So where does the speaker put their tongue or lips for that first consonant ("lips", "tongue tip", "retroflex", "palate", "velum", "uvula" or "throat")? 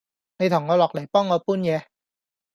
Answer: tongue tip